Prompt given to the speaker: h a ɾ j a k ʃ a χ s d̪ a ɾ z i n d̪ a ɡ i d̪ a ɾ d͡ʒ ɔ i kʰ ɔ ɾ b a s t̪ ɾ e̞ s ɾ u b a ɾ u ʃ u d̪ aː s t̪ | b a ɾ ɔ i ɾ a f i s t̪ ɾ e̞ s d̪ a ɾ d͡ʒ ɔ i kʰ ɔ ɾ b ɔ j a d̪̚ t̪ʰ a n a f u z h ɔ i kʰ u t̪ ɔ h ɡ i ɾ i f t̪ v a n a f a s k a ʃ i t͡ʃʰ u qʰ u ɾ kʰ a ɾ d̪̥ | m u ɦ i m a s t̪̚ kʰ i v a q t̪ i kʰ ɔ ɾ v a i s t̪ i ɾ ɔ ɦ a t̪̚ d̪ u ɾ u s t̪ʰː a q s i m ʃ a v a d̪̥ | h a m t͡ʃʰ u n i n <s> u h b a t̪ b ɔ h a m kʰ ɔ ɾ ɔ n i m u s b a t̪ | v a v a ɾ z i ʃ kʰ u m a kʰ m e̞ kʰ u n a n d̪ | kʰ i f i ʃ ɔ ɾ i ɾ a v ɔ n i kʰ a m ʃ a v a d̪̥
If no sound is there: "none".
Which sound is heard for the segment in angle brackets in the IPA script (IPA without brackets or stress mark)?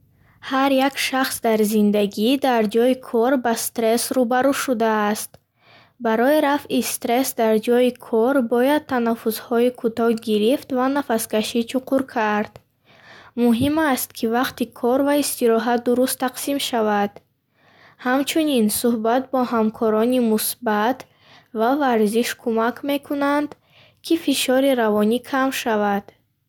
s